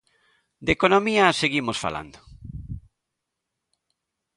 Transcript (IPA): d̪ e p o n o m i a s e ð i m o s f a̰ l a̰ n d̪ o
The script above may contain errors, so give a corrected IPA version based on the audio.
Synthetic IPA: d̪ e k o n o m i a s e ɣ i m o s f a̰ l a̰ n d̪ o